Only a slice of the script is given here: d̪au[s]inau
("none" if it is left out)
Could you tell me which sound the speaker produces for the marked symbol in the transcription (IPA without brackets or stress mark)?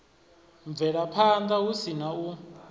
s